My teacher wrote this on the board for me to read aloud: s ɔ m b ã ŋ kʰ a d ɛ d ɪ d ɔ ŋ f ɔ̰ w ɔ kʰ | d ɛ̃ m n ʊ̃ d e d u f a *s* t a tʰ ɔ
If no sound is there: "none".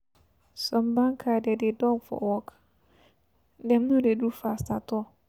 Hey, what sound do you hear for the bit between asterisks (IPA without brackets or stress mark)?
s